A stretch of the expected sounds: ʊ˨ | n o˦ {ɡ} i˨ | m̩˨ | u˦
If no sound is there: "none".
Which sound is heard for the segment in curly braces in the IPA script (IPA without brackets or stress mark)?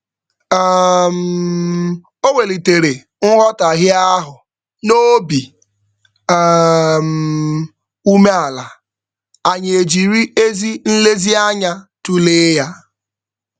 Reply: b